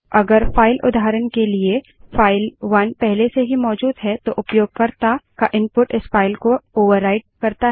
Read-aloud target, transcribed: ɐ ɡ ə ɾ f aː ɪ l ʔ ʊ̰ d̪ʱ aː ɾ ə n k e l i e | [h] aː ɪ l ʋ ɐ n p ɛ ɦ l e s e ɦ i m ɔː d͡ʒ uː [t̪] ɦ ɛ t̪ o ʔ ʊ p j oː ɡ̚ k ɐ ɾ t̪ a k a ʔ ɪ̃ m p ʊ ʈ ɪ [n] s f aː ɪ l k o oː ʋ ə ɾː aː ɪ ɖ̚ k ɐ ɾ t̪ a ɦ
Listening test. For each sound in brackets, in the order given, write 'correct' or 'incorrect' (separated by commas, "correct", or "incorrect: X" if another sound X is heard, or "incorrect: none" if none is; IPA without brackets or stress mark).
incorrect: f, incorrect: d̪, incorrect: none